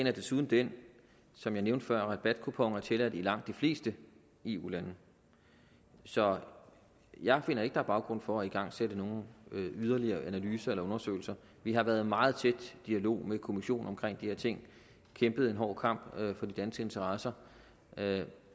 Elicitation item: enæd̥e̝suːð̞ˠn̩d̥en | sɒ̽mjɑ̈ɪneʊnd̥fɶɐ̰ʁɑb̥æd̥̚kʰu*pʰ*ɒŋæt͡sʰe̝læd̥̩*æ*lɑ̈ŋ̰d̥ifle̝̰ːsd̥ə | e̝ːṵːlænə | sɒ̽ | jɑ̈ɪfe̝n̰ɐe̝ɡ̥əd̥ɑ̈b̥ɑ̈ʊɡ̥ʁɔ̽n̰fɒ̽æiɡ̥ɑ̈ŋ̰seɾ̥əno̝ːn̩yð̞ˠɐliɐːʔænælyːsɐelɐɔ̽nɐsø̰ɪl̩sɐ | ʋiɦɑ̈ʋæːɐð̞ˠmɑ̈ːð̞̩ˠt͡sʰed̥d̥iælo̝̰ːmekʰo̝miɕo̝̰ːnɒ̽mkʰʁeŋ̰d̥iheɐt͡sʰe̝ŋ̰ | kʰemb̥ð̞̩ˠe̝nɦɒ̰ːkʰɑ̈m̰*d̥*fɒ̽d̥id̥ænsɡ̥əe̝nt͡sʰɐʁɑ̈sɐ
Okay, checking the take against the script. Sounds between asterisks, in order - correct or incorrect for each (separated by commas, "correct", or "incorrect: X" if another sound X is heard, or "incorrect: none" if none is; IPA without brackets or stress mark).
correct, incorrect: i, incorrect: b̥